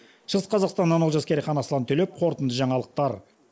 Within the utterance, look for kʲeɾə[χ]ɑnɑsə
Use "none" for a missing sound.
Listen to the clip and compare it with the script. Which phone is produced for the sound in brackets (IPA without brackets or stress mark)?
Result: χ